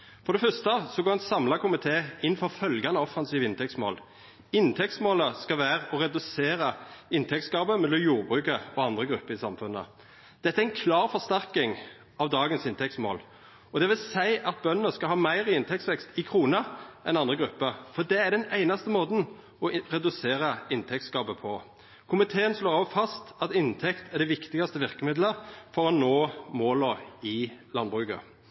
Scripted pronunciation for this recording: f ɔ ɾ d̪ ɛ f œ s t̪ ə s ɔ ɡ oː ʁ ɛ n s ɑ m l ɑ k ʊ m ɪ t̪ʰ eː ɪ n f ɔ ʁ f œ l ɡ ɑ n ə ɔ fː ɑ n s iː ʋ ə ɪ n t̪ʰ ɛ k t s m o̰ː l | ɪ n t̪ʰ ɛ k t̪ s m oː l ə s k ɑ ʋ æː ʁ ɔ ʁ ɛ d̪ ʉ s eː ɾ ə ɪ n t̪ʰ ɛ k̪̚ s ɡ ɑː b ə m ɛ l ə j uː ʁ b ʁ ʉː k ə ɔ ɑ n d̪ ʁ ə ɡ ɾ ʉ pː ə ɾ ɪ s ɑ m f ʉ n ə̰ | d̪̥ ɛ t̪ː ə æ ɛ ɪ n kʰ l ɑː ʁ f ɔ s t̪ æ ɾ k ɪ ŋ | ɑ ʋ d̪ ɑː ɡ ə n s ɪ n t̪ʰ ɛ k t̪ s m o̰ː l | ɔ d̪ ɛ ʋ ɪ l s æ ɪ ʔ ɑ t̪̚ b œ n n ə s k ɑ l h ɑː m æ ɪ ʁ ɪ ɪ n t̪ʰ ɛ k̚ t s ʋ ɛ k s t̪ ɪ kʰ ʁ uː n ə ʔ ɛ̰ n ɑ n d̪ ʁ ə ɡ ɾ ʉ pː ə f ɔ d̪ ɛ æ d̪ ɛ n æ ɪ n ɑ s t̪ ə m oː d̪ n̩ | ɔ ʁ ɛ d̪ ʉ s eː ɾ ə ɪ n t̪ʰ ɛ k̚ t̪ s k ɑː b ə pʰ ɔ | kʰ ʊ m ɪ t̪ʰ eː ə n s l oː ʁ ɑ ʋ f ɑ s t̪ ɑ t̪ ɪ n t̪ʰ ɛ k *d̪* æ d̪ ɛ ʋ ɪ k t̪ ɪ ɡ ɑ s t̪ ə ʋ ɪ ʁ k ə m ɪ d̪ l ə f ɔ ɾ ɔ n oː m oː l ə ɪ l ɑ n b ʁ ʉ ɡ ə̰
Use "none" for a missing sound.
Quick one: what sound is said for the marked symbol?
t̪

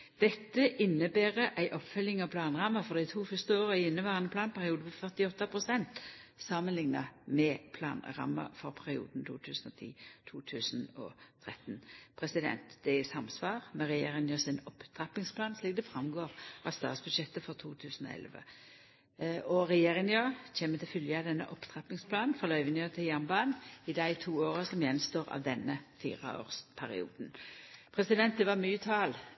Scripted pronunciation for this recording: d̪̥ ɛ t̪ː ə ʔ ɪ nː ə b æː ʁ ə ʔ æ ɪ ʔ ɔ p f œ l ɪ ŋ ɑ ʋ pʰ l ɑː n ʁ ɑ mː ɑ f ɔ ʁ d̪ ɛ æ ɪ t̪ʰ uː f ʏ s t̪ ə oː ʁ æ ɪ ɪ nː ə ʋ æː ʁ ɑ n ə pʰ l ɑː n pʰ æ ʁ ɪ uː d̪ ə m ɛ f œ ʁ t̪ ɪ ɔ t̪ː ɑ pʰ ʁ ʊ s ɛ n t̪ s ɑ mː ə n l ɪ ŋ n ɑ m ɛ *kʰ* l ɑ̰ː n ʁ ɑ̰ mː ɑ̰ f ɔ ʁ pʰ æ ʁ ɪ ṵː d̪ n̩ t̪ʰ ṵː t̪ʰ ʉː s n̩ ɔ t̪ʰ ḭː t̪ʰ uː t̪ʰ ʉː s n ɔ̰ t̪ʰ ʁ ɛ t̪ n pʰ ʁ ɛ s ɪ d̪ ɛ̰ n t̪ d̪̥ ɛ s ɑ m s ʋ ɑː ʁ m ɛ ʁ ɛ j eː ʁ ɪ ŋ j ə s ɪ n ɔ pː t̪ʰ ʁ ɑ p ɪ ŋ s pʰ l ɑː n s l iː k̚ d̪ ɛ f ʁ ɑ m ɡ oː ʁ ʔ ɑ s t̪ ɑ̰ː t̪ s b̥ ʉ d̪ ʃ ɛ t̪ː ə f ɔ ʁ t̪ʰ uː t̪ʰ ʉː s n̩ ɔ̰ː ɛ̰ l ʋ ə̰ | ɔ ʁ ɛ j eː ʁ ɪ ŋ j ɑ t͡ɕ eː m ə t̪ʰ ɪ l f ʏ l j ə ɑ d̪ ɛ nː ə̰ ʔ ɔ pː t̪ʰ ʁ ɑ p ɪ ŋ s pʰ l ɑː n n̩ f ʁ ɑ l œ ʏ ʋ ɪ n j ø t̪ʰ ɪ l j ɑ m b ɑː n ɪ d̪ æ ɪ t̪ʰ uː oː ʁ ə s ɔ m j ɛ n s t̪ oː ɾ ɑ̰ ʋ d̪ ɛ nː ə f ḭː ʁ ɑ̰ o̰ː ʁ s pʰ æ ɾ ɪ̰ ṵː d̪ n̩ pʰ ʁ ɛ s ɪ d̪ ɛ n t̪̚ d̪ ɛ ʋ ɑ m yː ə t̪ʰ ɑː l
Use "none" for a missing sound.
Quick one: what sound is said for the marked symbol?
pʰ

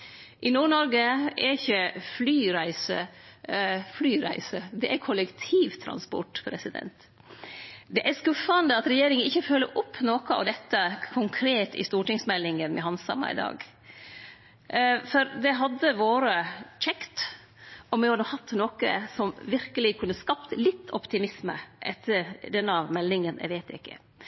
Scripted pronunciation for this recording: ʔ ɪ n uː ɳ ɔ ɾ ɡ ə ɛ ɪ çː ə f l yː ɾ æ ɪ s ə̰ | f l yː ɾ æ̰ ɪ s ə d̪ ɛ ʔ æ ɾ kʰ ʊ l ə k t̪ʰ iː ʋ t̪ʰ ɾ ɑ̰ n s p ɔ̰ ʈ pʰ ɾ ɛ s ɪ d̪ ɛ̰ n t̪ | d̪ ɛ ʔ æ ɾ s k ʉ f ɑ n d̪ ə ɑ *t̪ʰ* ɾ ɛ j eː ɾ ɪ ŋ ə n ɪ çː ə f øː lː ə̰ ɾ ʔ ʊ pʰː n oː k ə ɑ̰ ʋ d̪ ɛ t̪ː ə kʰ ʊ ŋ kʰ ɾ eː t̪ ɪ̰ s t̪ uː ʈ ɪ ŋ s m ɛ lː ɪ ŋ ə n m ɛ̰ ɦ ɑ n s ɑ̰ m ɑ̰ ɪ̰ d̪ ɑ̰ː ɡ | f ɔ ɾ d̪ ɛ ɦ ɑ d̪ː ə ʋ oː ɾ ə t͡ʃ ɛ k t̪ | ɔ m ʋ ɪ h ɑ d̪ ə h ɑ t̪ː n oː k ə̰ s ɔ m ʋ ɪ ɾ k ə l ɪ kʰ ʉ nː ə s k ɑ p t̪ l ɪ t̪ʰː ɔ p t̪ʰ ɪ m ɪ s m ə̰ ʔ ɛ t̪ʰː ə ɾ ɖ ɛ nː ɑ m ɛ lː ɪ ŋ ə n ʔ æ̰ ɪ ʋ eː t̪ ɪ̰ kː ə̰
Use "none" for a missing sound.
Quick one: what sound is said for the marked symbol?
t̪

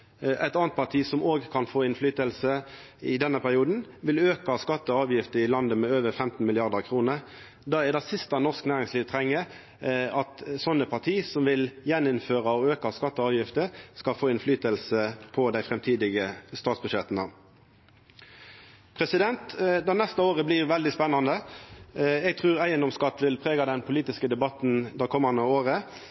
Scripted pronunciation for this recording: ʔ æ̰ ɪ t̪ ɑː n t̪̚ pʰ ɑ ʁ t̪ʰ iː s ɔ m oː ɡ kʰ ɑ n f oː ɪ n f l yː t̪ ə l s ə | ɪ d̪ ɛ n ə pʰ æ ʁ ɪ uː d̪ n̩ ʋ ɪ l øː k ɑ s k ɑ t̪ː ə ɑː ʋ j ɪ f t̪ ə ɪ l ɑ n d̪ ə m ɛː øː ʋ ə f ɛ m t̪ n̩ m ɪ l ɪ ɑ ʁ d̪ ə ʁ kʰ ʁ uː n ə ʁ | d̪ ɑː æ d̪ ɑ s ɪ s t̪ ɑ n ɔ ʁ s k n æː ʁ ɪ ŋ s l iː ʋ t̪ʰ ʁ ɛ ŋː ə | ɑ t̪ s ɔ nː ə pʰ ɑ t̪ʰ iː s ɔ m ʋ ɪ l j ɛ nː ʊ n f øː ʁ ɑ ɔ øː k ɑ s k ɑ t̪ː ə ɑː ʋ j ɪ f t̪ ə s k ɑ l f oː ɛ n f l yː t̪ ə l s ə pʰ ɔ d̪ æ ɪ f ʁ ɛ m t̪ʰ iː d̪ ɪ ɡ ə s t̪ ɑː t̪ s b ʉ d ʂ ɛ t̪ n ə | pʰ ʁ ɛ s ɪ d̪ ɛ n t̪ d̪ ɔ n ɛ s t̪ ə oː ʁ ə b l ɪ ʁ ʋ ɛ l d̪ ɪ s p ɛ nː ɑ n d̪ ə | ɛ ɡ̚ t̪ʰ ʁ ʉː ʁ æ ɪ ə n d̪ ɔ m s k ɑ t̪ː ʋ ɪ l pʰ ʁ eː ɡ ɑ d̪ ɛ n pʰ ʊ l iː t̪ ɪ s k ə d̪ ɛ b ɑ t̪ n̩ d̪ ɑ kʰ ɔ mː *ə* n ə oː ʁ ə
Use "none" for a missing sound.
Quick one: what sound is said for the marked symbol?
ɑ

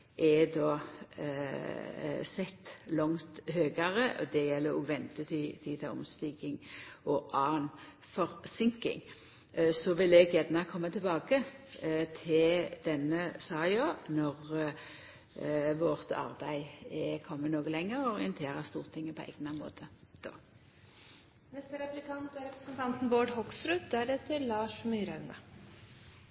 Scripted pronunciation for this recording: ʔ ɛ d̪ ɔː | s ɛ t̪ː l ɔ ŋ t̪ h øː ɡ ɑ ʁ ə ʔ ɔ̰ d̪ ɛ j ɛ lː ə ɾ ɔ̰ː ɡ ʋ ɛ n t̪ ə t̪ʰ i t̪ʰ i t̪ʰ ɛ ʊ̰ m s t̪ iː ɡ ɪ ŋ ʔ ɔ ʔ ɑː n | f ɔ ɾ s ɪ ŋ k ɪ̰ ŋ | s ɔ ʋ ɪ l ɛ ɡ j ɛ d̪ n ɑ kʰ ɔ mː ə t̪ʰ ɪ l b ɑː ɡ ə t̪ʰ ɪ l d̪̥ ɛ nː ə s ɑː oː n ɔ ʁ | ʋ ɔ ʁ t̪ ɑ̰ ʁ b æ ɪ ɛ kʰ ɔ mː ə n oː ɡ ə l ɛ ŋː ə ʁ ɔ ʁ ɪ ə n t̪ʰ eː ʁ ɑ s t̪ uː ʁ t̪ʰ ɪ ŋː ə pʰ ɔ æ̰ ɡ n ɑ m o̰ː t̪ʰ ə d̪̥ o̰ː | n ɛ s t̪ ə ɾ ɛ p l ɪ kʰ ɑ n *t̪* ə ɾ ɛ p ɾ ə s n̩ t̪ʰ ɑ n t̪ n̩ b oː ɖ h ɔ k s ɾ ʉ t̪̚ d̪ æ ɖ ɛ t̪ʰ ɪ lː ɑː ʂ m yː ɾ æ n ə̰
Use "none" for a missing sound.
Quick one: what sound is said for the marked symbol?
t̪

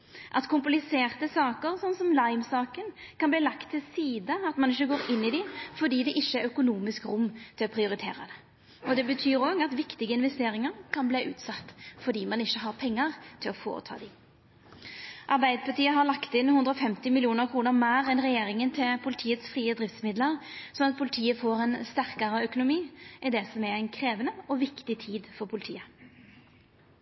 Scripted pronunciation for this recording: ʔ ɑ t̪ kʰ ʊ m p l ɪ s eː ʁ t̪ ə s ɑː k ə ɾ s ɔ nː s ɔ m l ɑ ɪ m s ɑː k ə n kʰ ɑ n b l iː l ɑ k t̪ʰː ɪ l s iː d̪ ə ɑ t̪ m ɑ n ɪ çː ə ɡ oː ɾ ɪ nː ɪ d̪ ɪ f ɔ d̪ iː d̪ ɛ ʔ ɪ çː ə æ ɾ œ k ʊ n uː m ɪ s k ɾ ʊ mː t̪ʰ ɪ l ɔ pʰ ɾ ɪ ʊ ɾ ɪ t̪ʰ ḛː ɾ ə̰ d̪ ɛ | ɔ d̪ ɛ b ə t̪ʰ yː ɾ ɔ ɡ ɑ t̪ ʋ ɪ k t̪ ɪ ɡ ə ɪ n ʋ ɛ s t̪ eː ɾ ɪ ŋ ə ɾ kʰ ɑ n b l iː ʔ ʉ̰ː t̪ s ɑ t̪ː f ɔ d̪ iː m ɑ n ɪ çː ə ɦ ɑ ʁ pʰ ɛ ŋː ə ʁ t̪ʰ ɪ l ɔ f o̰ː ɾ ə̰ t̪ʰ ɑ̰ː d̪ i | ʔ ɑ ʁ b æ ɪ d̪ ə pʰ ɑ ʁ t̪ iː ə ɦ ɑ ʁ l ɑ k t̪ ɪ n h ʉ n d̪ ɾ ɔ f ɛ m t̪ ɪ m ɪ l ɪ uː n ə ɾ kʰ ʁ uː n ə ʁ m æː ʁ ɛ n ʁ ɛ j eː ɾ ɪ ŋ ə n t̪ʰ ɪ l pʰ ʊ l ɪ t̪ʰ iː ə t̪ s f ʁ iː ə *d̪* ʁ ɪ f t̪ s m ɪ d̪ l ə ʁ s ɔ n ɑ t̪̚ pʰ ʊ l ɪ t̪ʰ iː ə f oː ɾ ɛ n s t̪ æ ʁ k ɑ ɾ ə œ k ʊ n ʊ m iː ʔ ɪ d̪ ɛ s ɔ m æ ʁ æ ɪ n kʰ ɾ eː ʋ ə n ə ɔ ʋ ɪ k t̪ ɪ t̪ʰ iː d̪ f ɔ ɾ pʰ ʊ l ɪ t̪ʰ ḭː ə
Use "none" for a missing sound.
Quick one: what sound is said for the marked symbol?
d̪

